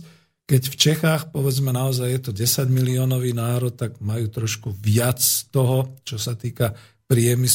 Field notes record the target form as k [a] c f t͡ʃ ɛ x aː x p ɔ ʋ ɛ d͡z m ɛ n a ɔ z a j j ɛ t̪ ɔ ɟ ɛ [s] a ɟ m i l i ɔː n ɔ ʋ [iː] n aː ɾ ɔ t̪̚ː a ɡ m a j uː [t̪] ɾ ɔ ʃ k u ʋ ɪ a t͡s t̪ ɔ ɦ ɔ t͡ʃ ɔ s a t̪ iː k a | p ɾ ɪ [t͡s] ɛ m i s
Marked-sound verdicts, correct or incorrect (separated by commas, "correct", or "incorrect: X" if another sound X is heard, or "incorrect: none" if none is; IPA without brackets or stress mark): incorrect: ɛ, correct, correct, correct, incorrect: none